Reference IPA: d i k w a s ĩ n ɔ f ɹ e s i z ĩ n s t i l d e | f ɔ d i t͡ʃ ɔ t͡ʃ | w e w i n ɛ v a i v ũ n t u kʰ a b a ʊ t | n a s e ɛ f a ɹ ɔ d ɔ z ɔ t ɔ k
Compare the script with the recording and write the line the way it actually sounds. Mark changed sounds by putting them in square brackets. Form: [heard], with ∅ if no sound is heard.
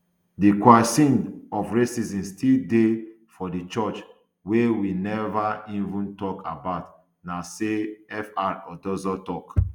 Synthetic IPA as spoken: d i k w a s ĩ n ɔ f ɹ e s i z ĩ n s t i l d e | f ɔ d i t͡ʃ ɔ t͡ʃ | w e w i n ɛ v a i v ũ n t [ɔ] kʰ a b a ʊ t | n a s e ɛ f a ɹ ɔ d ɔ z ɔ t ɔ k

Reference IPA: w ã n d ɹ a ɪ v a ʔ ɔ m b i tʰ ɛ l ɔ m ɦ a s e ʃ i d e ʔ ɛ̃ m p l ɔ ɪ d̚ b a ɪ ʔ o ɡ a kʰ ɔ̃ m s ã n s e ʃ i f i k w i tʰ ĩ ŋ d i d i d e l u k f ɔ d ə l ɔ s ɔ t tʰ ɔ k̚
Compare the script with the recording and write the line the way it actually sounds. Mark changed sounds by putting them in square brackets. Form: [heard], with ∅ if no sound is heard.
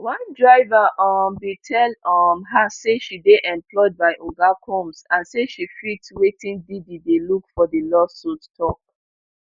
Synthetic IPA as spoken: w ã n d ɹ a ɪ v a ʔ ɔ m b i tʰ ɛ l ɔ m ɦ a s e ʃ i d e ʔ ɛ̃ m p l ɔ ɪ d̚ b a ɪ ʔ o ɡ a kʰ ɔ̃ m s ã n s e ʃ i f i [t] w [e] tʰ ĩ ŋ d i d i d e l u k f ɔ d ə l ɔ s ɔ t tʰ ɔ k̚

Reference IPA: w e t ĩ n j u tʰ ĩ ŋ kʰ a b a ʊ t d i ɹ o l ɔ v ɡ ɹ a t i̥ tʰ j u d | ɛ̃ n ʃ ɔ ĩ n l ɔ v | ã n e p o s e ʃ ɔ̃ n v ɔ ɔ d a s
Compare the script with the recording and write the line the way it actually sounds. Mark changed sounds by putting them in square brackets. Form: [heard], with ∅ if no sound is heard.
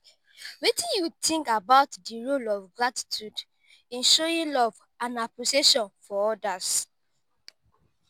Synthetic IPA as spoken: w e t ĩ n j u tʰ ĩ ŋ [k] a b a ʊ t d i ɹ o l ɔ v ɡ ɹ a t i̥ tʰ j u d | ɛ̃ n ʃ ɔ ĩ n l ɔ v | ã n [a] p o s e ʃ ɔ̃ n [f] ɔ ɔ d a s

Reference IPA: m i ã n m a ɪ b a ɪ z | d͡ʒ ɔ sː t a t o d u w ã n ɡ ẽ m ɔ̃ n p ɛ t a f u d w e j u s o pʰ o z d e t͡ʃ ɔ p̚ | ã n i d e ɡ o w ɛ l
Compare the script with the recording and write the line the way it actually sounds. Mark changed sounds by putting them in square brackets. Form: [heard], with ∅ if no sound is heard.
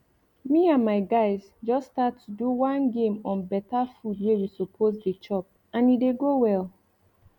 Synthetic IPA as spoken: m i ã n m a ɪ [ɡ] a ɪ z | d͡ʒ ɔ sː t a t [u] d u w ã n ɡ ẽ m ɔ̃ n [b] ɛ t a f u d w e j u s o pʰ o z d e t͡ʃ ɔ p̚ | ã n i d e ɡ o w ɛ l

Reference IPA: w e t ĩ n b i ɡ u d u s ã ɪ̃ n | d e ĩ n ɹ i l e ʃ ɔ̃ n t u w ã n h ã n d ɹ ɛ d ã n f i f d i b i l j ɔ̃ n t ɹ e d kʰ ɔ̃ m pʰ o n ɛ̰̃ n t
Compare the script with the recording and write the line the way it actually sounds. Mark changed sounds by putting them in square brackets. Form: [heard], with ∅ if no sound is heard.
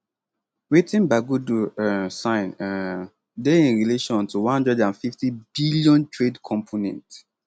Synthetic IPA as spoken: w e t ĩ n b [a] ɡ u d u s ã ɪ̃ n | d e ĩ n ɹ i l e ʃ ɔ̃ n t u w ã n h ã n d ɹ ɛ d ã n f i f [t] i b i l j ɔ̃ n t ɹ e d kʰ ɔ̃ m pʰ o n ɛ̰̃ n t

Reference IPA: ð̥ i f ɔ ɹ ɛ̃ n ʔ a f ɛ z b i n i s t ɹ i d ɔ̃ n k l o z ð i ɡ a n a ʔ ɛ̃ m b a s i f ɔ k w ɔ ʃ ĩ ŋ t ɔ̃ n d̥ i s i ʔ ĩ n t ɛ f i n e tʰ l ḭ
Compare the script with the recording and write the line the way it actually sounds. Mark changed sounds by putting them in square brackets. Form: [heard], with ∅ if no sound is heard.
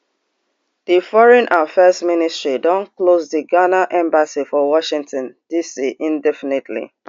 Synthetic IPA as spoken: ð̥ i f ɔ ɹ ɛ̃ n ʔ a f ɛ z [m] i n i s t ɹ i d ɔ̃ n k l o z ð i ɡ a n a ʔ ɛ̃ m b a s i f ɔ [∅] w ɔ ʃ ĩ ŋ t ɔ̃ n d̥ i s i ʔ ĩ n [d] ɛ f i n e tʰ l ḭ

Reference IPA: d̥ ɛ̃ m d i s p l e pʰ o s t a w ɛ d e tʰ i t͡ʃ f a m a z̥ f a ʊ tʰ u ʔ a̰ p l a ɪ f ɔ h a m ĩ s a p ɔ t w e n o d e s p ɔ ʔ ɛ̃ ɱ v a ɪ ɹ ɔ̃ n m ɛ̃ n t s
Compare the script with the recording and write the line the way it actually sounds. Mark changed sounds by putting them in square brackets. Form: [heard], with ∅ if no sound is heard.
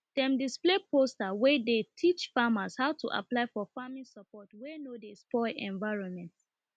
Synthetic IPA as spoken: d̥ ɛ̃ m d i s p l e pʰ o s t a w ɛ d e tʰ i t͡ʃ f a m a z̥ [h] a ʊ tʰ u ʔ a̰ p l a ɪ f ɔ [f] a m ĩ s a p ɔ t w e n o d e s p ɔ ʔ ɛ̃ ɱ v a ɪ ɹ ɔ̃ n m ɛ̃ n t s

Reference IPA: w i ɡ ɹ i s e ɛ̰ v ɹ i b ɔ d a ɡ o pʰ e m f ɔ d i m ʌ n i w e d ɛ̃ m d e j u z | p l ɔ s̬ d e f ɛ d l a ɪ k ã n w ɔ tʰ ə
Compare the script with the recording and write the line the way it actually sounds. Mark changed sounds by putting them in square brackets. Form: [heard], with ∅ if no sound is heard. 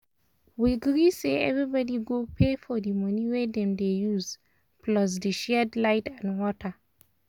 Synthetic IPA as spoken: w i ɡ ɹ i s e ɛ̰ v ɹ i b ɔ d [i] ɡ o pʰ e [∅] f ɔ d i m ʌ n i w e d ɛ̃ m d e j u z | p l ɔ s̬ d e [ʃ] ɛ d l a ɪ [t] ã n w ɔ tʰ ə

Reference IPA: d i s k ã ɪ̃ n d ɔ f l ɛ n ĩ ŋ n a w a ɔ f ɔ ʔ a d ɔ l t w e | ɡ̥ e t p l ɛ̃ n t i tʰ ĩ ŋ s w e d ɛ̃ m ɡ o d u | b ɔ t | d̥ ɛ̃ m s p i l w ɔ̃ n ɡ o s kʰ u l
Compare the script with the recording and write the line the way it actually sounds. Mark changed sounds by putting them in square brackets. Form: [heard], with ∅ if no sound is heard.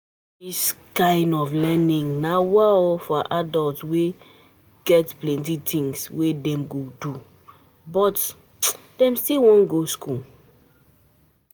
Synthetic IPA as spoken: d i s k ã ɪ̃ n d ɔ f l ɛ n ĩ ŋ n a w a ɔ f ɔ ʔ a d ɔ l t w e | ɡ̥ [ɛ] t p l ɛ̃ n t i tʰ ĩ ŋ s w e d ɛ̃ m ɡ o d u | b ɔ t | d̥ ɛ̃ m s [t] i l w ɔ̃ n ɡ o s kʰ u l

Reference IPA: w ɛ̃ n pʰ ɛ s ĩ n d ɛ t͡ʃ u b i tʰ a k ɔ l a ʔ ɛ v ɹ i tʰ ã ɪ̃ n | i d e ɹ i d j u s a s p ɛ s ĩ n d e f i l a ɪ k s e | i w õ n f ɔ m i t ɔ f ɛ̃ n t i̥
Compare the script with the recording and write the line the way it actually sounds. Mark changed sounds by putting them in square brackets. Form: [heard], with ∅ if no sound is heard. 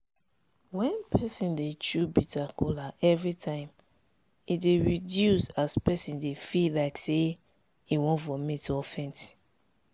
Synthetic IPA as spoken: w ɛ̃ n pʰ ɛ s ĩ n d [e] t͡ʃ u b i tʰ a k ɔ l a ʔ ɛ v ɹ i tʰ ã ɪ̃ [m] | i d e ɹ i d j u s a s p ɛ s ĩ n d e f i l a ɪ k s e | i w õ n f ɔ m i t ɔ f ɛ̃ n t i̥

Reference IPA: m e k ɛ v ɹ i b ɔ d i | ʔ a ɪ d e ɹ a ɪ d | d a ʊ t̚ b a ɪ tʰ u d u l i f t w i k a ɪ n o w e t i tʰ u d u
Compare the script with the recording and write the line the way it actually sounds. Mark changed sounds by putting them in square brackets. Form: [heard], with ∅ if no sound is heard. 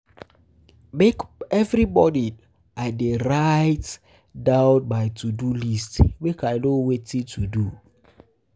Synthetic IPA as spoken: m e k ɛ v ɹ i b ɔ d i | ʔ a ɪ d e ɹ a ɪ [t] | d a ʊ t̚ b a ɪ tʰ u d u l i [s] t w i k a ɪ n o w e t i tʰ u d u

